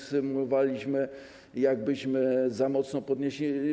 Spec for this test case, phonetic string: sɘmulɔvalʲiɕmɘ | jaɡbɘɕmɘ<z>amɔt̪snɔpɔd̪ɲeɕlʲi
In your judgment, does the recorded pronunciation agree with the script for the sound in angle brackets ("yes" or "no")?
yes